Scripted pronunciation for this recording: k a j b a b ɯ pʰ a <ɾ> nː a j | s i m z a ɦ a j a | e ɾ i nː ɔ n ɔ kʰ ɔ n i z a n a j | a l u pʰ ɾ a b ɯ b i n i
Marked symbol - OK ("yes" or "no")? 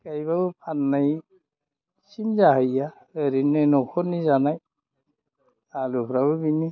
no